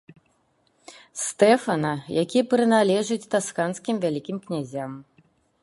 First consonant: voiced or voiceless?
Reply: voiceless